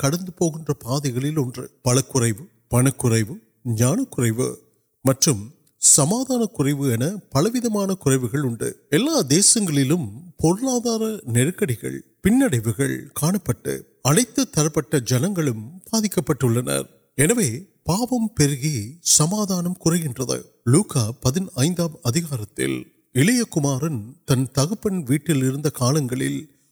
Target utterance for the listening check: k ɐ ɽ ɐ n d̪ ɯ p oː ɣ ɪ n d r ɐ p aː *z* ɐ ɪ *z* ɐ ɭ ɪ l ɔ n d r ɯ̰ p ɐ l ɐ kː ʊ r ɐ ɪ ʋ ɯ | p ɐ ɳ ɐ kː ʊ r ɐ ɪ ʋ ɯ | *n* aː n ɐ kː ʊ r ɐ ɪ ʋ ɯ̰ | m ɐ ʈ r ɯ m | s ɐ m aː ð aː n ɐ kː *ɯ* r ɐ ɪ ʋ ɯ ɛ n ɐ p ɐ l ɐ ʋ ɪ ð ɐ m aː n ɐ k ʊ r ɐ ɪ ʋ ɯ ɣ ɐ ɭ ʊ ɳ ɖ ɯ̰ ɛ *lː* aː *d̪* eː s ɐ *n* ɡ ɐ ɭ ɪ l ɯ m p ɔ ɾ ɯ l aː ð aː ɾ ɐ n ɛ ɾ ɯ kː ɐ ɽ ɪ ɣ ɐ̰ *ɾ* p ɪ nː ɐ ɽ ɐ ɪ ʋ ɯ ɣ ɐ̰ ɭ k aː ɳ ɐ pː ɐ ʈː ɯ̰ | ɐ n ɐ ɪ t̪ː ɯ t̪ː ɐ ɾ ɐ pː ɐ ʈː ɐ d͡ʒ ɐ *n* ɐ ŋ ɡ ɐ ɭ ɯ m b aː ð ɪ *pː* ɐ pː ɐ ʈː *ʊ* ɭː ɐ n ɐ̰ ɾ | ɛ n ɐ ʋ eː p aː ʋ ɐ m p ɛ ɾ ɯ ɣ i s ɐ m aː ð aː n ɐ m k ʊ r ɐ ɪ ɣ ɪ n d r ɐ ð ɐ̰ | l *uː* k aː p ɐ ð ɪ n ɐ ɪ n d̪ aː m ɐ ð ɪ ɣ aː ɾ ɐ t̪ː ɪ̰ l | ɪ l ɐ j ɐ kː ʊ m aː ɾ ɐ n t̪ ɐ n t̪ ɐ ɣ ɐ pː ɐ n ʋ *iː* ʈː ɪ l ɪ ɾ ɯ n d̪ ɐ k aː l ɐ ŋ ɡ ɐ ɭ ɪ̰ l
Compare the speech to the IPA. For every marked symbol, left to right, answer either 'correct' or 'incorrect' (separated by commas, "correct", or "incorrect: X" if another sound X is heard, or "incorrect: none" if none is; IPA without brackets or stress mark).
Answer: incorrect: ð, incorrect: ɣ, incorrect: ɲ, incorrect: ʊ, correct, correct, incorrect: ŋ, incorrect: ɭ, correct, incorrect: kː, incorrect: ɯ, correct, correct